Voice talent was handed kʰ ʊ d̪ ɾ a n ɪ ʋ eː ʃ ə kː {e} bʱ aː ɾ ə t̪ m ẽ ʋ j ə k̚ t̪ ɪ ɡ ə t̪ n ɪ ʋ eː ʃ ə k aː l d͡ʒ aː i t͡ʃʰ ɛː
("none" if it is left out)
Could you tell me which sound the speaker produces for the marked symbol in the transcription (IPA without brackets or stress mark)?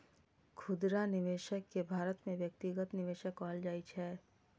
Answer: e